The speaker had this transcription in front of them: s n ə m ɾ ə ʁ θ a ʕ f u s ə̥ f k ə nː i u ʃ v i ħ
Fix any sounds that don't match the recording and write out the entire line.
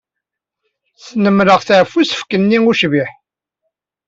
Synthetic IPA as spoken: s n ə m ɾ ə ʁ θ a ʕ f u s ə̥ f k ə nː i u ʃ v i ħ